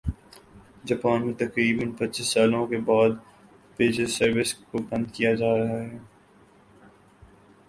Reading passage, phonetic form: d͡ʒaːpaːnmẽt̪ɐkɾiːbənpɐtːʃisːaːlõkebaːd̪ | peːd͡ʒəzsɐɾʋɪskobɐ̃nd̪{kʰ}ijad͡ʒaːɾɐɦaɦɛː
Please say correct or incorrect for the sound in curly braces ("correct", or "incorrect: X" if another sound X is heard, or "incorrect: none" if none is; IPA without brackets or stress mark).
incorrect: k